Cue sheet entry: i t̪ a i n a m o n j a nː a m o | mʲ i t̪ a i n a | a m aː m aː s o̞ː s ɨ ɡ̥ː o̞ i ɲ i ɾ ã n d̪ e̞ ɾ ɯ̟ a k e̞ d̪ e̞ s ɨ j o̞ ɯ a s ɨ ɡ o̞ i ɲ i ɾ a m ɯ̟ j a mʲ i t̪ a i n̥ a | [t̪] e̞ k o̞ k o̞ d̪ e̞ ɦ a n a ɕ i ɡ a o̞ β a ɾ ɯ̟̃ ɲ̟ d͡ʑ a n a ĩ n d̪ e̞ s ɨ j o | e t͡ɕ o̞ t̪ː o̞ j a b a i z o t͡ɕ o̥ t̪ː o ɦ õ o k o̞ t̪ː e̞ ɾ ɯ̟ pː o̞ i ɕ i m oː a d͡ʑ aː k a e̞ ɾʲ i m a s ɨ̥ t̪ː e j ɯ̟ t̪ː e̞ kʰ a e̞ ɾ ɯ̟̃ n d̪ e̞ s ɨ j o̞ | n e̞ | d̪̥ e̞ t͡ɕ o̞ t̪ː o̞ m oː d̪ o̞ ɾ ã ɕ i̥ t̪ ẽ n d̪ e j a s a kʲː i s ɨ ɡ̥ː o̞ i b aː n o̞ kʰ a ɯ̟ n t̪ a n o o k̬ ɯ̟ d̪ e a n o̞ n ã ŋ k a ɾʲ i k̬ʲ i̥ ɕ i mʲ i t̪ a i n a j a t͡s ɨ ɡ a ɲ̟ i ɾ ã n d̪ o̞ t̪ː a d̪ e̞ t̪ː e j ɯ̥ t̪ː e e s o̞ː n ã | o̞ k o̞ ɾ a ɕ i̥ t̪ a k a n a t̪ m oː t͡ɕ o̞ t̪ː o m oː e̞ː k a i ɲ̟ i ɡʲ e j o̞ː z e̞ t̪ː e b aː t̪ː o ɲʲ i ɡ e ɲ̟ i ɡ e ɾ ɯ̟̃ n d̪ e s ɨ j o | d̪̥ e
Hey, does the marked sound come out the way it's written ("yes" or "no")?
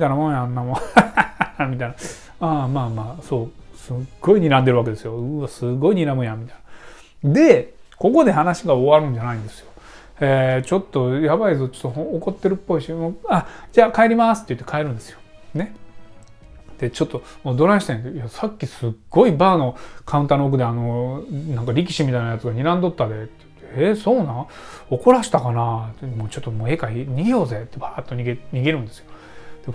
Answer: no